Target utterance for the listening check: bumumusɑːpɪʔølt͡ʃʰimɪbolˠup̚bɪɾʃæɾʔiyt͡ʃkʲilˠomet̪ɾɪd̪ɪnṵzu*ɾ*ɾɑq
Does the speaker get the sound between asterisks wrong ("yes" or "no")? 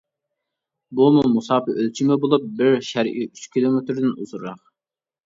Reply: no